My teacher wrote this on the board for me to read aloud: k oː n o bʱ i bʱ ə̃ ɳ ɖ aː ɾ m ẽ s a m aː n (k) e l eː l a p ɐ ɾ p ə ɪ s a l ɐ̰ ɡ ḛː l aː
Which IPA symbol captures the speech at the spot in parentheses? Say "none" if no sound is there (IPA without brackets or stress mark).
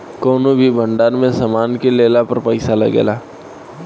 k